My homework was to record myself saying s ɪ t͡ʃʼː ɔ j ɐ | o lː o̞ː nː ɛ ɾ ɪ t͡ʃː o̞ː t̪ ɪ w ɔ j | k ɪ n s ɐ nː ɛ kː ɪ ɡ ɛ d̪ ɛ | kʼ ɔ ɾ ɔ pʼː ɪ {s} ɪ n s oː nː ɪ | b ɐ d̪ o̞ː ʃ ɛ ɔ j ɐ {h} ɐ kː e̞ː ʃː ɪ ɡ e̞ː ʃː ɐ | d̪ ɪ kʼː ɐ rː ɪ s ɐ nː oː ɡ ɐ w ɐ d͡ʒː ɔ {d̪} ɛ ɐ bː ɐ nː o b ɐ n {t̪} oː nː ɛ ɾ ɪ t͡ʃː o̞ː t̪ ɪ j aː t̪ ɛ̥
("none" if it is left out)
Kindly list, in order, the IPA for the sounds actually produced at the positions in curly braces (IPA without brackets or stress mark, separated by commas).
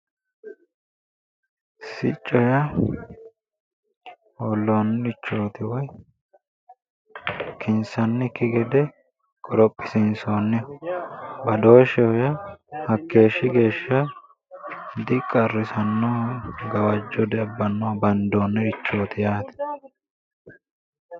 s, h, d̪, d̪